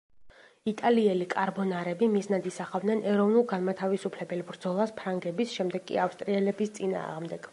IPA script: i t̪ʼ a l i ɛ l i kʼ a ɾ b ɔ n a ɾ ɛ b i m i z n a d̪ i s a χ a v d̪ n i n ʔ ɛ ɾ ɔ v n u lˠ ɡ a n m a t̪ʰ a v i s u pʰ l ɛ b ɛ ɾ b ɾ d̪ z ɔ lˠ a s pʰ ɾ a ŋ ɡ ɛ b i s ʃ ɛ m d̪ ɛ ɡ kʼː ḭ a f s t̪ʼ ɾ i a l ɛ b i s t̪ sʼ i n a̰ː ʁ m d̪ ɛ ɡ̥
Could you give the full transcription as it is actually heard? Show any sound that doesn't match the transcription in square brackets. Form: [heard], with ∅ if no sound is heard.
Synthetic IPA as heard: i t̪ʼ a l i ɛ l i kʼ a ɾ b ɔ n a ɾ ɛ b i m i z n a d̪ i s a χ a v d̪ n [ɛ] n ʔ ɛ ɾ ɔ v n u lˠ ɡ a n m a t̪ʰ a v i s u pʰ l ɛ b ɛ [l] b ɾ d̪ z ɔ lˠ a s pʰ ɾ a ŋ ɡ ɛ b i s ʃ ɛ m d̪ ɛ ɡ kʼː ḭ a f s t̪ʼ ɾ i [ɛ] l ɛ b i s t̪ sʼ i n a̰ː ʁ m d̪ ɛ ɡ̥